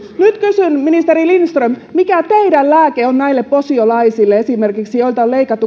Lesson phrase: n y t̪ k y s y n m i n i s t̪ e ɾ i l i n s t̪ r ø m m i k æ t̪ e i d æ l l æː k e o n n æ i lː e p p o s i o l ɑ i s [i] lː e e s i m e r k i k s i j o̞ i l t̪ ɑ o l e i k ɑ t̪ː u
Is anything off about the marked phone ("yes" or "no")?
no